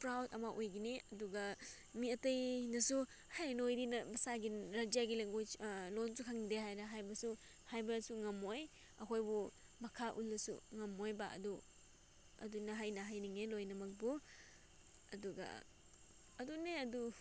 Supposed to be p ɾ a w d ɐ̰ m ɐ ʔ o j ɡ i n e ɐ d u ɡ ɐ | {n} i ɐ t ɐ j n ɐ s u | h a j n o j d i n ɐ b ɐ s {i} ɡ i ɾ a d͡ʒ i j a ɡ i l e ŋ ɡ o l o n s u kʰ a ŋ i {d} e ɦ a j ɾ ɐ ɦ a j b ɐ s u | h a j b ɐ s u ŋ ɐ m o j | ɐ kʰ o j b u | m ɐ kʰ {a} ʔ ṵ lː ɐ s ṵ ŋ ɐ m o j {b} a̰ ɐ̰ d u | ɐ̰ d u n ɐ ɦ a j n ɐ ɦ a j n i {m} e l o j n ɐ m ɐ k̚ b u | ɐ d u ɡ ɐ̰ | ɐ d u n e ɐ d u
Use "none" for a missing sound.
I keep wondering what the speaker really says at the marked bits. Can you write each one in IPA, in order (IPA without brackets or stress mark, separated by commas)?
m, a, d, a, b, ŋ